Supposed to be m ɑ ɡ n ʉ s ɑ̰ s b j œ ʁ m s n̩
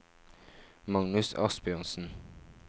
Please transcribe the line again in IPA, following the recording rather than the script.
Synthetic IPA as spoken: m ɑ ŋ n ʉ s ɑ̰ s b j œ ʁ n s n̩